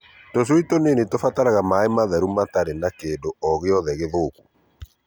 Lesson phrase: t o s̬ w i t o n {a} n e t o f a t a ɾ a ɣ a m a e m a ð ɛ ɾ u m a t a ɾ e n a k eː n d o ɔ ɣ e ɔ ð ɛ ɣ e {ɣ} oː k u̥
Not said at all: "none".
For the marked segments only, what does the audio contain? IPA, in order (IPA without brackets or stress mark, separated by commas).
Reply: e, ð